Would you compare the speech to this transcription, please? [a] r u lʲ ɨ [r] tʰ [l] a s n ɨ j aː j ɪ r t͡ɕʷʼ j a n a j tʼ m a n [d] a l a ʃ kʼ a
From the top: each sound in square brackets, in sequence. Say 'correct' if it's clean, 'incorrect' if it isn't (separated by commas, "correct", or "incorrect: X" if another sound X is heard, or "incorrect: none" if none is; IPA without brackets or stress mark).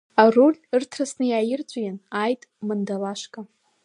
correct, correct, incorrect: r, correct